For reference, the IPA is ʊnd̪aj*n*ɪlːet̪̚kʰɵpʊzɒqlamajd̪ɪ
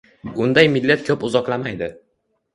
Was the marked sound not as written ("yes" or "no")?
yes